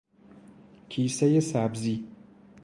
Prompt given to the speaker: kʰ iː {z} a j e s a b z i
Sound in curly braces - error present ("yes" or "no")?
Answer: yes